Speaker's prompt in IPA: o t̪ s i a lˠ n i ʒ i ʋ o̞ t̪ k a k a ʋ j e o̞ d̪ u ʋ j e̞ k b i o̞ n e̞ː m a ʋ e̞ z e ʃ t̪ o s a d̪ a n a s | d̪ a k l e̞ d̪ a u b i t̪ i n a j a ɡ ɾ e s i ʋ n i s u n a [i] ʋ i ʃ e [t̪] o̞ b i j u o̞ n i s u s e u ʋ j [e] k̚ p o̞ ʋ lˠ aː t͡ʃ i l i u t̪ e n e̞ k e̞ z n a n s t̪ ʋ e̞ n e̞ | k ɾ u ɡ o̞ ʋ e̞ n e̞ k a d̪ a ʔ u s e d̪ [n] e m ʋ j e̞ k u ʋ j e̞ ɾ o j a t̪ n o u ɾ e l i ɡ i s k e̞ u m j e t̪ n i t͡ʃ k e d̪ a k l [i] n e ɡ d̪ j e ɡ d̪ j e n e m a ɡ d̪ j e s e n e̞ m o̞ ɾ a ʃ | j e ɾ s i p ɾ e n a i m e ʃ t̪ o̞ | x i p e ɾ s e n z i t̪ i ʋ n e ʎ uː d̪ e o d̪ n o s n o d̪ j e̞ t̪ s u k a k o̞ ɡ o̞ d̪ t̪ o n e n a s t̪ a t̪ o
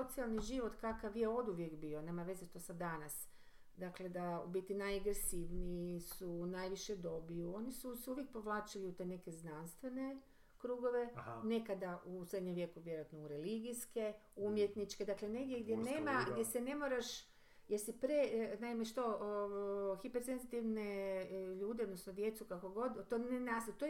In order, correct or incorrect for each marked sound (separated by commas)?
incorrect, incorrect, correct, incorrect, incorrect